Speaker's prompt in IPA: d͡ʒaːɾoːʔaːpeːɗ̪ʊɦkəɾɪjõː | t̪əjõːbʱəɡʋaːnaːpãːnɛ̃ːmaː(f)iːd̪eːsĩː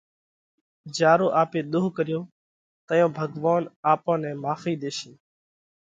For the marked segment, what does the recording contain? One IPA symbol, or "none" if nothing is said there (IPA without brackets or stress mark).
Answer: f